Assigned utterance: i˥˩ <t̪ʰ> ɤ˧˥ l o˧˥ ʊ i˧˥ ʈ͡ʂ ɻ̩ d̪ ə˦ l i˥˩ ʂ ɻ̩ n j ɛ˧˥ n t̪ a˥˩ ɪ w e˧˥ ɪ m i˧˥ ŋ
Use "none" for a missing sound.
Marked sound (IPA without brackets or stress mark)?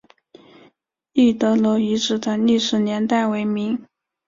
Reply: t̪